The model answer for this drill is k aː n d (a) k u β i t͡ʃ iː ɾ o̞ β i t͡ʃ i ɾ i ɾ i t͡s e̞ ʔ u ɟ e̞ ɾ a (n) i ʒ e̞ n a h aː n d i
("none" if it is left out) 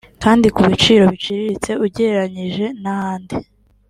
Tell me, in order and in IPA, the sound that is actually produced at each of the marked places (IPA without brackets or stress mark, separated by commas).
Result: i, ɲ